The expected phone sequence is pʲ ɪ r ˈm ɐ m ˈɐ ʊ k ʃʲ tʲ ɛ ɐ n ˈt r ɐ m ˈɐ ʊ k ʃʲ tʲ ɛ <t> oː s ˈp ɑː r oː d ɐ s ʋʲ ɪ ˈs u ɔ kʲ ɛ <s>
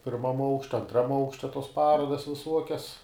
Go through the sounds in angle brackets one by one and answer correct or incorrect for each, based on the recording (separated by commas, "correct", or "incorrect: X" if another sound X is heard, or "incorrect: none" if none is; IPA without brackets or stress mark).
correct, correct